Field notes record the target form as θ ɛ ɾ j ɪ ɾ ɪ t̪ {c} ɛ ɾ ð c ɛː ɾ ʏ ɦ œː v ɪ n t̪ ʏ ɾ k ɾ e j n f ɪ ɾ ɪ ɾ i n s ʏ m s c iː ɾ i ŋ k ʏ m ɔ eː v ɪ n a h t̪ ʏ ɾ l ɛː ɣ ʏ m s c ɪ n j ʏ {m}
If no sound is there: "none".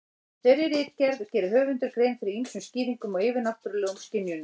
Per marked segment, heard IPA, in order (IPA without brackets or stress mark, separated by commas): c, n